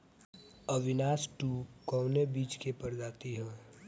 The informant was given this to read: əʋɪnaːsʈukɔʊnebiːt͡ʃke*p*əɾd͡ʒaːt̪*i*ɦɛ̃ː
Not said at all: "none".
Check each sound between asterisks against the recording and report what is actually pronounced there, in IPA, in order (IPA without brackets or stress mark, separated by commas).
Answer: p, i